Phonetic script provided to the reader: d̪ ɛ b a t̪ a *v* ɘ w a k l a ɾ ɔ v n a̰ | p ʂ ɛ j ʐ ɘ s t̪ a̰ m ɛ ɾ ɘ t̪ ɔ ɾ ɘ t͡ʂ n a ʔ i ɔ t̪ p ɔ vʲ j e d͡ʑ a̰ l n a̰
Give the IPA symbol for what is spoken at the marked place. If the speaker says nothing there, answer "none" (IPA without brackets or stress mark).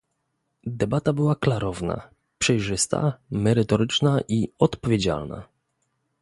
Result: b